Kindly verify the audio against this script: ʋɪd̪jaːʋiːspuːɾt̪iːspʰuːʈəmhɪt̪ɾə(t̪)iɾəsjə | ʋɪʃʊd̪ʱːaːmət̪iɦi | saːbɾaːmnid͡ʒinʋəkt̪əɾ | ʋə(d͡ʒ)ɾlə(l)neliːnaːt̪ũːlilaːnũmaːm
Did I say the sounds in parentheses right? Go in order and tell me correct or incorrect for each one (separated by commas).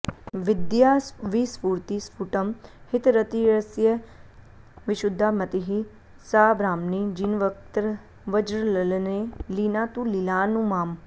correct, correct, correct